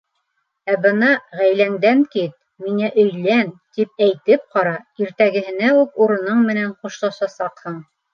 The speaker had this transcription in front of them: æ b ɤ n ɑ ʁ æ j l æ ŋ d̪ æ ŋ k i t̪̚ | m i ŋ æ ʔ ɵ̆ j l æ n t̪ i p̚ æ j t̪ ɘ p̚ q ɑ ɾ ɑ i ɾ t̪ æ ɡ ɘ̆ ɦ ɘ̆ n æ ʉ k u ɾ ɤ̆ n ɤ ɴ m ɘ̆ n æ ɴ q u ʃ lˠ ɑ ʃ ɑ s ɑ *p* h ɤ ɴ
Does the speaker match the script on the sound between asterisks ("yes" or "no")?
no